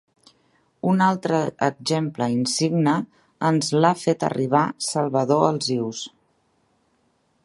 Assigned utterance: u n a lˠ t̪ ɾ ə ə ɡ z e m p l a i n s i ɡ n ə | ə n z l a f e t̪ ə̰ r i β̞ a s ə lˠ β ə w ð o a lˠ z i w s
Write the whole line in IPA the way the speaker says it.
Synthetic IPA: u n a lˠ t̪ ɾ ə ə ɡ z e m p l ə i n s i ɡ n ə | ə n z l a f e t̪ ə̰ r i β̞ a s ə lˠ β ə ð o ə lˠ z i w s